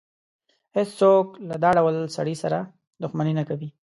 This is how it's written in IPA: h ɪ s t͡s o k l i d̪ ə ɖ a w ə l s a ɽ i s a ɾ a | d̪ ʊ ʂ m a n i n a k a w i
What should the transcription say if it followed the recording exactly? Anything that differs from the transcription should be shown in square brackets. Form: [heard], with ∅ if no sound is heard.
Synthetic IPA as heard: h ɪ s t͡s o k l [a] d̪ [ɑ] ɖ a w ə l s a ɽ i s a ɾ a | d̪ ʊ [x] m a n i n a k a w i

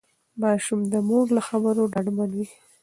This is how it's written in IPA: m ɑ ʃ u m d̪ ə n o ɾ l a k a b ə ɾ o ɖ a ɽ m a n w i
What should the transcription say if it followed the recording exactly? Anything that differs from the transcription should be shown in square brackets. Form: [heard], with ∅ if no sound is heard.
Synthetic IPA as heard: m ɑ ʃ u m d̪ ə [m] o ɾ l a [x] a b ə ɾ o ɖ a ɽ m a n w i

